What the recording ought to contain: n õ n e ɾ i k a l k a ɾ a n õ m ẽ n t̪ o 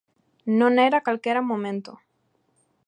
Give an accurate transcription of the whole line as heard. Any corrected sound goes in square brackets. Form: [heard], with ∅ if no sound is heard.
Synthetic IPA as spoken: n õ n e ɾ [a] k a l k [e] ɾ a [m] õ m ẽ n t̪ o